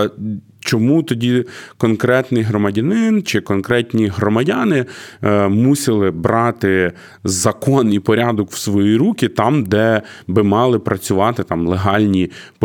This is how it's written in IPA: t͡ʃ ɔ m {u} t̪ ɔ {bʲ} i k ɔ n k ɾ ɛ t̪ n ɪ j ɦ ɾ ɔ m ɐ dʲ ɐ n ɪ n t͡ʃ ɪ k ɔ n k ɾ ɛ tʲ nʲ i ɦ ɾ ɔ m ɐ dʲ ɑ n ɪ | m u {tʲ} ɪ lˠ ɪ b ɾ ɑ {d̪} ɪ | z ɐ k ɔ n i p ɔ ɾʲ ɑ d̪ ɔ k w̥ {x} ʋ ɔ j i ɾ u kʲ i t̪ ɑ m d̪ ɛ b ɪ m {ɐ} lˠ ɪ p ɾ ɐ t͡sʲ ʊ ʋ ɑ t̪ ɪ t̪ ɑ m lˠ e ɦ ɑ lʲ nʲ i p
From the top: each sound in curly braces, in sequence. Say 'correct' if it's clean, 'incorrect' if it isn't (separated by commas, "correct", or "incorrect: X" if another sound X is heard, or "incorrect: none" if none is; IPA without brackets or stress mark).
correct, incorrect: dʲ, incorrect: sʲ, incorrect: t̪, incorrect: s, incorrect: ɑ